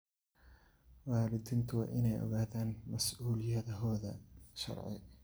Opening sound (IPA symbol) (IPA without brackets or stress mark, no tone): w